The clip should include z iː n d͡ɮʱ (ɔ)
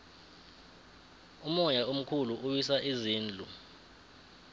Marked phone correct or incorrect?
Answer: incorrect